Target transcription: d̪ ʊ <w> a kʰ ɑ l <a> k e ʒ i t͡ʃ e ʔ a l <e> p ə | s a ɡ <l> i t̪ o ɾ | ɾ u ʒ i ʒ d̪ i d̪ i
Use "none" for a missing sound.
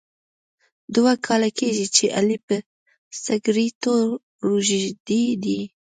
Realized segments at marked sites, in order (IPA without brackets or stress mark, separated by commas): w, a, i, ɾ